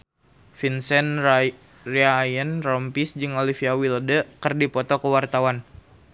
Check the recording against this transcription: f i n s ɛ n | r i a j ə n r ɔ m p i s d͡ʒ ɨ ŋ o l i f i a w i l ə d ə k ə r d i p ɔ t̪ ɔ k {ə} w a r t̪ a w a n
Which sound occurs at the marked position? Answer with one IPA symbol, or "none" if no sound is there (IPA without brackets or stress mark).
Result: ə